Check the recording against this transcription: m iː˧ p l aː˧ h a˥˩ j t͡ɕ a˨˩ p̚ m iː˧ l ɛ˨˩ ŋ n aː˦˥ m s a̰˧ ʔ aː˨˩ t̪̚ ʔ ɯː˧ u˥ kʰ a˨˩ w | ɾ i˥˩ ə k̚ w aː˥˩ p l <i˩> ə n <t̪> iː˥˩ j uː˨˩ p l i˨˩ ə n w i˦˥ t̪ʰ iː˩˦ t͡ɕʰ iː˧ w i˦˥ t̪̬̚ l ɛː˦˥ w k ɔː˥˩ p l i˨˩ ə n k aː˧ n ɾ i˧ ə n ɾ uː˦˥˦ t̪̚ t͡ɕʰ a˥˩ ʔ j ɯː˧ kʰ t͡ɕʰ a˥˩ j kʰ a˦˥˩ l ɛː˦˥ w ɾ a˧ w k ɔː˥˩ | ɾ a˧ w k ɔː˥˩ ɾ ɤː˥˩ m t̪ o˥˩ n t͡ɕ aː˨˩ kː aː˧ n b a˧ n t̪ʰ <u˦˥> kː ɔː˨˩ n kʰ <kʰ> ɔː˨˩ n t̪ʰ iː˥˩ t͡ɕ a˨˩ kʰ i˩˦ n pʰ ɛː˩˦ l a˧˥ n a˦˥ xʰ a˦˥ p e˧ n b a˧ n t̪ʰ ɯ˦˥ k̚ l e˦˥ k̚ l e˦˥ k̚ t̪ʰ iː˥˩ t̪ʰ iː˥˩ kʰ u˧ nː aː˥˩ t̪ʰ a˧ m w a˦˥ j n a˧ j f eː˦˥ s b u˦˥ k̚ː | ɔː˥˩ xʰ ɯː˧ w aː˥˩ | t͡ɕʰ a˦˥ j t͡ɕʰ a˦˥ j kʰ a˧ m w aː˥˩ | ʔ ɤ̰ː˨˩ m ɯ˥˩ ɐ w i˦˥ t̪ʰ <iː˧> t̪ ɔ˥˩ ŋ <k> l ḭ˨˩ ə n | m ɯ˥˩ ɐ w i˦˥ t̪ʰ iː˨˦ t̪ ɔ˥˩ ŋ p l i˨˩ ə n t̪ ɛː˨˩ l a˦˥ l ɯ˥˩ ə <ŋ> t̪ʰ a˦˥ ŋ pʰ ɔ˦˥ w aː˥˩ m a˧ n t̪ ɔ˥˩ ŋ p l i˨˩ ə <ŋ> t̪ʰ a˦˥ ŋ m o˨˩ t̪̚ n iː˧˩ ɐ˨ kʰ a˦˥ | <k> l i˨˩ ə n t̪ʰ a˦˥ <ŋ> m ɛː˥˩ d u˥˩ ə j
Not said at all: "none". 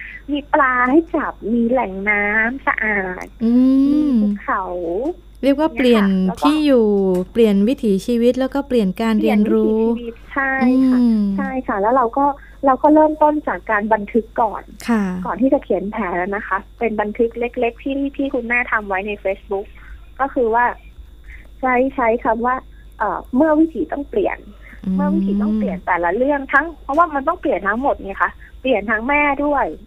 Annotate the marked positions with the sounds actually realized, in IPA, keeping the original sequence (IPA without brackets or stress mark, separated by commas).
i˩, t̪ʰ, ɯ˦˥, k, iː˩˦, p, ŋ, n, p, ŋ